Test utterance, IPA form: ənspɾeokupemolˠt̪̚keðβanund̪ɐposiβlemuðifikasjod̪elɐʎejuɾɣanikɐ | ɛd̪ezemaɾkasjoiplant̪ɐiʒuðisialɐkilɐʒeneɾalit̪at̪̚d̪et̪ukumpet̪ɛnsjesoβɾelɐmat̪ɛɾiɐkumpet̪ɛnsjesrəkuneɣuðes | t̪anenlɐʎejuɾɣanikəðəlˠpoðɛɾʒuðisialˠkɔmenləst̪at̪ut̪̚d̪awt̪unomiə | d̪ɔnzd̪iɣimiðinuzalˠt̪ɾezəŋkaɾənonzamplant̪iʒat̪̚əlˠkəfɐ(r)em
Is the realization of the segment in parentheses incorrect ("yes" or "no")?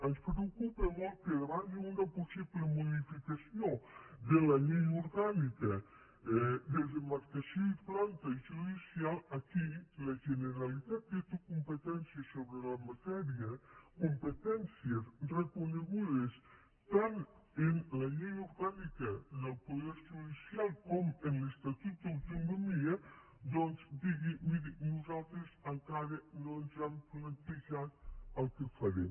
yes